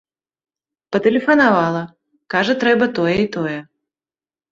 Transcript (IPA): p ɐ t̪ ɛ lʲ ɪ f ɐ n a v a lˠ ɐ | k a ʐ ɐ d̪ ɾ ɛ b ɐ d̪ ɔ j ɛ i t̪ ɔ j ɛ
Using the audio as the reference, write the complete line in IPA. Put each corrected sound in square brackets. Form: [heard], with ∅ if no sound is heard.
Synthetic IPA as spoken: p ɐ t̪ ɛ lʲ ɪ f ɐ n a v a lˠ ɐ | k a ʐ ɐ [t̪] ɾ ɛ b ɐ [t̪] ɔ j ɛ i t̪ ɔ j ɛ